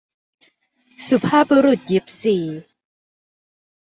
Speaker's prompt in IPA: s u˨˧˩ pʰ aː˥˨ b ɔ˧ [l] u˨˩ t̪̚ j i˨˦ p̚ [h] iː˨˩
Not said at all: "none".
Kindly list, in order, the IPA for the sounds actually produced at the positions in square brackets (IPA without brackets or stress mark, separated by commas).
ɾ, s